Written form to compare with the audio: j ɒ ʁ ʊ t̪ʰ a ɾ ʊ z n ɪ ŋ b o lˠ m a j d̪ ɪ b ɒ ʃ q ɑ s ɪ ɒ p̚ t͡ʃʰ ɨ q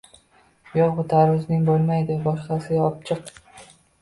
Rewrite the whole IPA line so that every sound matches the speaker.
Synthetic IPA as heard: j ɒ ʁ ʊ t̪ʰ a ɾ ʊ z n ɪ ŋ b o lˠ m a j d̪ ɪ b ɒ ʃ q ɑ s ɪ ɒ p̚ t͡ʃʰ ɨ q